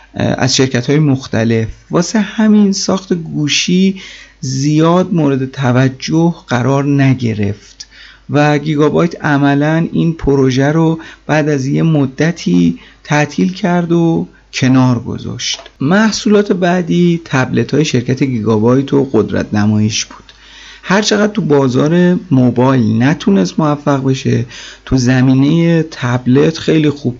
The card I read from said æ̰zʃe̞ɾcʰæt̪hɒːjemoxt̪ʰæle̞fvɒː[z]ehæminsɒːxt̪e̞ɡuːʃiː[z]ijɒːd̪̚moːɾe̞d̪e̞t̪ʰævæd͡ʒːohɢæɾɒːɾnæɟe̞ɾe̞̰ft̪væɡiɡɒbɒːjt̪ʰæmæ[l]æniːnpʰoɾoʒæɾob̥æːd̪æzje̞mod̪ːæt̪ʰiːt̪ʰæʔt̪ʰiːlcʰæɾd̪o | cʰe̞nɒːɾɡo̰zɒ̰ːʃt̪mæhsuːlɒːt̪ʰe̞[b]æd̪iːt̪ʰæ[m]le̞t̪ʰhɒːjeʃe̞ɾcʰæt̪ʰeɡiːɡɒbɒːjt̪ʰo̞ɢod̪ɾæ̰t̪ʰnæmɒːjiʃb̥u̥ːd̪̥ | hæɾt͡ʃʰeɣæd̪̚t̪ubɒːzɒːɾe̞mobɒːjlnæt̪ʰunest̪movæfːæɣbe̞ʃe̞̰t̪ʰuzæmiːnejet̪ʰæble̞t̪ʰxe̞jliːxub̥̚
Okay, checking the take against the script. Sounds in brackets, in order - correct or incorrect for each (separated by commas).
incorrect, correct, correct, correct, incorrect